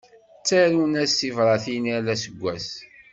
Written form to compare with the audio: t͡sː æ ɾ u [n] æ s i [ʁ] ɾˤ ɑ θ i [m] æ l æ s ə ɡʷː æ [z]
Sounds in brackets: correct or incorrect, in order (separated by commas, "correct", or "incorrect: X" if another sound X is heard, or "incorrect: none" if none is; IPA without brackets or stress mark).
correct, incorrect: v, incorrect: n, incorrect: s